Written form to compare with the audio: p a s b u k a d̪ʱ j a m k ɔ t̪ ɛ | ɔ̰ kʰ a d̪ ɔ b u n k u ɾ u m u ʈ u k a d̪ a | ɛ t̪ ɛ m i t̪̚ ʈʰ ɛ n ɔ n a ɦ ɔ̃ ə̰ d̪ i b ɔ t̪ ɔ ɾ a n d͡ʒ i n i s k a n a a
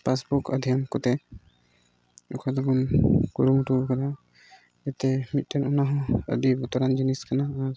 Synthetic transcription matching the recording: p a s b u k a d̪ʱ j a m k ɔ t̪ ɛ | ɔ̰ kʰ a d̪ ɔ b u n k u ɾ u m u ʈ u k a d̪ a | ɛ t̪ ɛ m i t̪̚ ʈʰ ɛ n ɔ n a ɦ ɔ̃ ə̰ d̪ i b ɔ t̪ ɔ ɾ a n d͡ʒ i n i s k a n a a